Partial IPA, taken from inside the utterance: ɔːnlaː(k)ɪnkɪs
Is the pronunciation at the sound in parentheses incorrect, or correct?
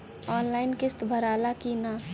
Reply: incorrect